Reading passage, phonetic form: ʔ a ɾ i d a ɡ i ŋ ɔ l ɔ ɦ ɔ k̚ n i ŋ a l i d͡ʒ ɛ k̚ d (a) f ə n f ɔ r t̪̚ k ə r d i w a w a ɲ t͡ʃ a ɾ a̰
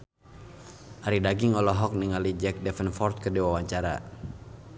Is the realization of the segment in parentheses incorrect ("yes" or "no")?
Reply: yes